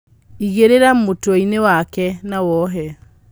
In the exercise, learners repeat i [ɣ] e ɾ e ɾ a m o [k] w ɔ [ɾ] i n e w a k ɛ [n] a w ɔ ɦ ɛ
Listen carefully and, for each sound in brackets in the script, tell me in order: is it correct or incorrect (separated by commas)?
correct, incorrect, incorrect, correct